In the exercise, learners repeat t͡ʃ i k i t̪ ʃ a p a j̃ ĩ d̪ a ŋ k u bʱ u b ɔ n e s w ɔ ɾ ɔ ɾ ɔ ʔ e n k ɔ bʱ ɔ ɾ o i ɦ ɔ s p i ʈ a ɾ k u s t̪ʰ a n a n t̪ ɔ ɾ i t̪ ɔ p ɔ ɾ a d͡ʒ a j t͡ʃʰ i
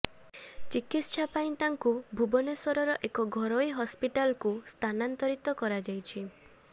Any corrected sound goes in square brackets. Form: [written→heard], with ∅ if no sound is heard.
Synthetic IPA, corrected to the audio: t͡ʃ i k i t̪ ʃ a p a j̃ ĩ [d̪→t̪] a ŋ k u bʱ u b ɔ n e s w ɔ ɾ ɔ ɾ ɔ ʔ e [n→∅] k ɔ [bʱ→ɡʱ] ɔ ɾ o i ɦ ɔ s p i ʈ a [ɾ→l] k u s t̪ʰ a n a n t̪ ɔ ɾ i t̪ ɔ [p→k] ɔ ɾ a d͡ʒ a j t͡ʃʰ i